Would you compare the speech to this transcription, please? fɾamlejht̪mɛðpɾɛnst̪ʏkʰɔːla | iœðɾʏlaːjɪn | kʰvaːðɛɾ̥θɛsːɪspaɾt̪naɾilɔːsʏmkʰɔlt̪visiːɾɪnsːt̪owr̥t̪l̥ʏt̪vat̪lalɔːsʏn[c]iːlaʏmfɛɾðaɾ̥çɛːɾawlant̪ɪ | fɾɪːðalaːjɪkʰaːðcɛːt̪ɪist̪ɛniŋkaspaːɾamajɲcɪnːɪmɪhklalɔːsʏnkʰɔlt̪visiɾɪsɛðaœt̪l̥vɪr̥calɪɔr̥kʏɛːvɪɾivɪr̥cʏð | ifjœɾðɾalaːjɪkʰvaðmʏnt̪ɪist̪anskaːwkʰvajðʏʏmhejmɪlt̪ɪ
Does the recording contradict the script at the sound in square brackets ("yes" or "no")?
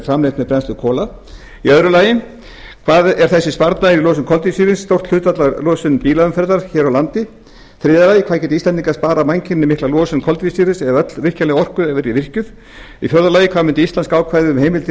yes